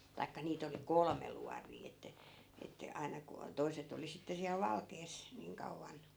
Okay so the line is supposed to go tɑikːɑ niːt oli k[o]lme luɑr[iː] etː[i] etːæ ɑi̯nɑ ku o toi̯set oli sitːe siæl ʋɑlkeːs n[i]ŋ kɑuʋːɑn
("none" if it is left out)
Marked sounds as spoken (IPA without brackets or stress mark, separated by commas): o, iː, æ, iː